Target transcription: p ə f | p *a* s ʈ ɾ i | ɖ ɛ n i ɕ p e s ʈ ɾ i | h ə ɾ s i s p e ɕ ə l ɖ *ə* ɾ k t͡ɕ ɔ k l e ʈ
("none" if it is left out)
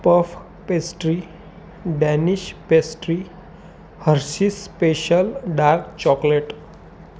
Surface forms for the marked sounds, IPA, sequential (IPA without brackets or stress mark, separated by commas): e, a